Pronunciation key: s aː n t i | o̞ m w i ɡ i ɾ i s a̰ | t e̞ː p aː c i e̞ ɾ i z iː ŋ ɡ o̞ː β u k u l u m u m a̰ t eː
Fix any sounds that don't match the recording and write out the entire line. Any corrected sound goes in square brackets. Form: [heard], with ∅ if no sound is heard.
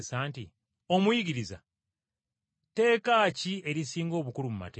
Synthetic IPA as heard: s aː n t i | o̞ m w i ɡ i ɾ i [z] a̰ | t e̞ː [k] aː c i e̞ ɾ i [s] iː ŋ ɡ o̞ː β u k u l u m u m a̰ t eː